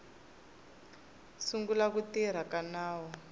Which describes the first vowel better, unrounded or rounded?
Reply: rounded